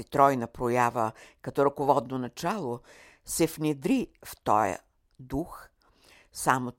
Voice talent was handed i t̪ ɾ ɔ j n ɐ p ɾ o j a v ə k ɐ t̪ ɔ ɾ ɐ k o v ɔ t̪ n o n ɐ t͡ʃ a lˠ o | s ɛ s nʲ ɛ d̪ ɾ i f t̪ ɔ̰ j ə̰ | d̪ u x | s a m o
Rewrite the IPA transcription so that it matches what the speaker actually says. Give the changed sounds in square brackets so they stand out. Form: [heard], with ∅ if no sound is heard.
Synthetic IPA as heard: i t̪ ɾ ɔ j n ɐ p ɾ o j a v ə k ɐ t̪ ɔ ɾ ɐ k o v ɔ [d̪] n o n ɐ t͡ʃ a lˠ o | s ɛ [f] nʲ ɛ d̪ ɾ i f t̪ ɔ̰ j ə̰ | d̪ u x | s a m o